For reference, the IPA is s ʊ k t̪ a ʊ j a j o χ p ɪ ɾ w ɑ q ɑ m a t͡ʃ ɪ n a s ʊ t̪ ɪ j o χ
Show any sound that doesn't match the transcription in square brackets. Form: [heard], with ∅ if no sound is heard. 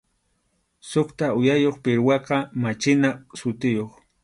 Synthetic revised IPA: s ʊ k t̪ a ʊ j a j o χ p ɪ ɾ w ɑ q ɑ m a t͡ʃ ɪ n a s ʊ t̪ ɪ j o χ